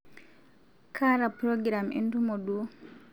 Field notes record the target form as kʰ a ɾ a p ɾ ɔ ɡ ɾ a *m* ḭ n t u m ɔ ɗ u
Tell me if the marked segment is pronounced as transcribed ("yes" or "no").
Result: yes